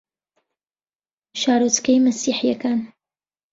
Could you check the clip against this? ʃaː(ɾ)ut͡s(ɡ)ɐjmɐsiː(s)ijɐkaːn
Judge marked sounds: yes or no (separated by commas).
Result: yes, no, no